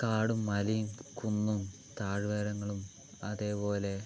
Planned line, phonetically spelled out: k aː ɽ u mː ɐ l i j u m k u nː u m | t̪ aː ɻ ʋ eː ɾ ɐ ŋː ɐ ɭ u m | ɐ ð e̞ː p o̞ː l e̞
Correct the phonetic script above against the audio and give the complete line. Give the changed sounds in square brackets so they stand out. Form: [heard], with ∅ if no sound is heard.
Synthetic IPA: k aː ɽ u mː ɐ l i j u m k u nː u m | t̪ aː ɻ ʋ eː ɾ ɐ ŋː ɐ ɭ u m | ɐ ð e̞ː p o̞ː l e̞